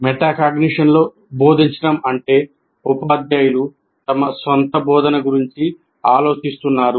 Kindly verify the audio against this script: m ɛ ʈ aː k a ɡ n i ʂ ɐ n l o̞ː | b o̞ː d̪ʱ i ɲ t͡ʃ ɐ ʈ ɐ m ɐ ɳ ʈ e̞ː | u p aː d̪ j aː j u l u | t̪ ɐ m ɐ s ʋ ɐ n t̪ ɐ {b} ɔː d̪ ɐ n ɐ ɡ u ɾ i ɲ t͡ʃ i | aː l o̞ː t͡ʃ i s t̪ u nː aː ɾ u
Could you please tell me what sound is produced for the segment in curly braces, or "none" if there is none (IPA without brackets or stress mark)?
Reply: b